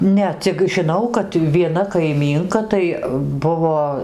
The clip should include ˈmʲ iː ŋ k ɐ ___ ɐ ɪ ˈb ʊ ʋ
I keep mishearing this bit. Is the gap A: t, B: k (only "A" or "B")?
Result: A